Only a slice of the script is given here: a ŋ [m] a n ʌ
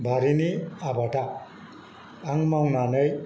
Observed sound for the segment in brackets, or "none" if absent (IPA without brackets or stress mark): n